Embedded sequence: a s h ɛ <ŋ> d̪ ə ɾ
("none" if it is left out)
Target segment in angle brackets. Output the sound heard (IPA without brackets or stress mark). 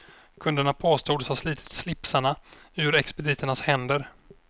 n